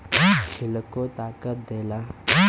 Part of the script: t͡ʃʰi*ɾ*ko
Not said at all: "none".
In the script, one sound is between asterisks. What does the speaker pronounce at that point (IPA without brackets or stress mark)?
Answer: l